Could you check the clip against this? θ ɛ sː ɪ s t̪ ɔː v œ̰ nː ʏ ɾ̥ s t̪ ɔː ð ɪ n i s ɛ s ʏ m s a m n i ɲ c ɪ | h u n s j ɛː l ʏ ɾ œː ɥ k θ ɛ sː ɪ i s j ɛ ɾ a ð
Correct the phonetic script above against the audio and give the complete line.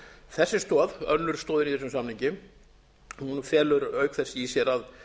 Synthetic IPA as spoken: θ ɛ sː ɪ s t̪ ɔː ð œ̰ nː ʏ ɾ̥ s t̪ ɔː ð ɪ n i θ ɛ s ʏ m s a m n i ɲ c ɪ | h u n f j ɛː l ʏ ɾ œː ɥ k θ ɛ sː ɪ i s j ɛ ɾ a ð